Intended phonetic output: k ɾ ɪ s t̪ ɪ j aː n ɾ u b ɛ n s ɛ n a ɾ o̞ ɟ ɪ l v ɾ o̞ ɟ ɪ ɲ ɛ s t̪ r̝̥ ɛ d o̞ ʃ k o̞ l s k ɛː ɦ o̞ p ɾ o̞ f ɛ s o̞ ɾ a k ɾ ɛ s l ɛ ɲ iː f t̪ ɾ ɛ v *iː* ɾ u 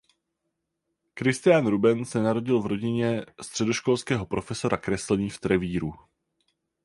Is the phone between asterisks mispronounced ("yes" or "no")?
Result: no